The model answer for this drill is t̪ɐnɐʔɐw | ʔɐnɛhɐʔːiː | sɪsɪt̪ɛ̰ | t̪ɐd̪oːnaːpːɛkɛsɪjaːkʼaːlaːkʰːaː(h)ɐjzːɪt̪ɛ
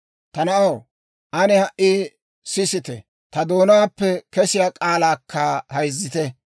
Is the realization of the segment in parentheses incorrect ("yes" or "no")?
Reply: no